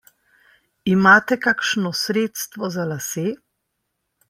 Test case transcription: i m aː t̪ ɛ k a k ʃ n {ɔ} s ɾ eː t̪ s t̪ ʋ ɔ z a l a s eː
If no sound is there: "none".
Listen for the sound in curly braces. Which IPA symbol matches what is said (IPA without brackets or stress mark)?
ɔ